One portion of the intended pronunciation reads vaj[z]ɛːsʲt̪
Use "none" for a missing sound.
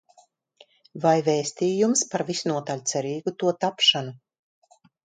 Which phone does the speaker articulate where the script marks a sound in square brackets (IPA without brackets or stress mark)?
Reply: v